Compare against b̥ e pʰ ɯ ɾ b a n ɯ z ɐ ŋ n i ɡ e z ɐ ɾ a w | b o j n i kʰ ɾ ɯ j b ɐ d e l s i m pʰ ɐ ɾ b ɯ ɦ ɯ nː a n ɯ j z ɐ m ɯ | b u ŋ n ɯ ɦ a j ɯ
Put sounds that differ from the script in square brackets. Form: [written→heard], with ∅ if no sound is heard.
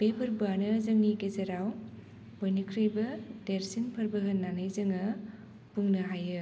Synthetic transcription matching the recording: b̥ e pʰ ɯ ɾ b a n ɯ z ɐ ŋ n i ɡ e z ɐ ɾ a w | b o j n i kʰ ɾ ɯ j b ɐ d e [l→ɾ] s i [m→n] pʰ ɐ ɾ b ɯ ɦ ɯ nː a n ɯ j z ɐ [m→ŋ] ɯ | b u ŋ n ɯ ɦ a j ɯ